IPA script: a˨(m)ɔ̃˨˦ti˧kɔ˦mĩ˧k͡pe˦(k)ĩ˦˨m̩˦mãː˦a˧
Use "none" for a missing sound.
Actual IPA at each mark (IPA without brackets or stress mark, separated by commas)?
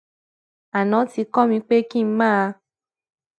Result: n, k